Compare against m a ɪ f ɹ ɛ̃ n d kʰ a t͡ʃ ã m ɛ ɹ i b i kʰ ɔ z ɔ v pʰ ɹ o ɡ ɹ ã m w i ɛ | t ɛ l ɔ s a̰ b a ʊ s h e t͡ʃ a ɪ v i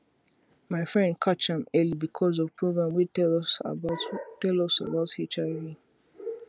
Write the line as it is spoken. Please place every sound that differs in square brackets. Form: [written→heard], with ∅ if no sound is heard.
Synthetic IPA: m a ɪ f ɹ ɛ̃ n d kʰ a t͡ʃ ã m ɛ [ɹ→l] i b i kʰ ɔ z ɔ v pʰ ɹ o ɡ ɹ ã m w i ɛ | t ɛ l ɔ s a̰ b a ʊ [s→t] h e t͡ʃ a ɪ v i